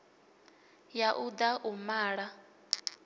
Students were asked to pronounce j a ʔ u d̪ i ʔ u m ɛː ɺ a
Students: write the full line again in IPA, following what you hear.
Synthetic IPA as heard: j a ʔ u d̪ a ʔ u m aː ɺ a